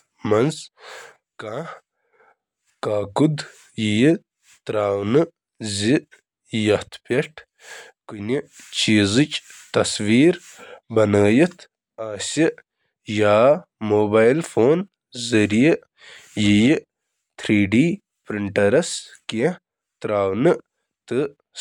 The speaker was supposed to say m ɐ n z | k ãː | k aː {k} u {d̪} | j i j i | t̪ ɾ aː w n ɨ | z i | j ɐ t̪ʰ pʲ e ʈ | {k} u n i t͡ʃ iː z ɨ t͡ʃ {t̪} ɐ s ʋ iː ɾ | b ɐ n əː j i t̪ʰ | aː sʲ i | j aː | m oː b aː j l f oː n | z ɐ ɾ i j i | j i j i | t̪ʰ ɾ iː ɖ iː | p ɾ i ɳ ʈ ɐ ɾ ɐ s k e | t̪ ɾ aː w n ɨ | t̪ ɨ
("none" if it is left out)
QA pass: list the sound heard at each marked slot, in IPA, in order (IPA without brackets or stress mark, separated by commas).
k, d̪, k, t̪